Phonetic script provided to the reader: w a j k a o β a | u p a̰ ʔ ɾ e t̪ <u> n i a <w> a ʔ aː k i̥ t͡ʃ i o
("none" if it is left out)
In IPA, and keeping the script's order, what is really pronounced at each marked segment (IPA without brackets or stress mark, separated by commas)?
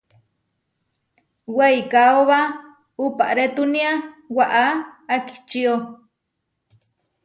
u, w